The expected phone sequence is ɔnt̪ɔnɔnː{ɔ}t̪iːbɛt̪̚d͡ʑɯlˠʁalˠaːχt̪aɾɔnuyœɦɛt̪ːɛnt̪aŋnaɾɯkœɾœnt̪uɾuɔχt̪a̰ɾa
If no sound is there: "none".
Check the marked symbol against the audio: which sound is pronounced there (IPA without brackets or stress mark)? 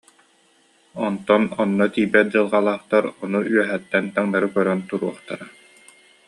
ɔ